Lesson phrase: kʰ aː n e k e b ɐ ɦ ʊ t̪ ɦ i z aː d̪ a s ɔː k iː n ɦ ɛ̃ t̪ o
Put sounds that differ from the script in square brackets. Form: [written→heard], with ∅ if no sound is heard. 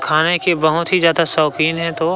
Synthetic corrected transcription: kʰ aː n e k e b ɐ ɦ ʊ t̪ ɦ i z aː d̪ a s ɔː k iː n ɦ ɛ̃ t̪ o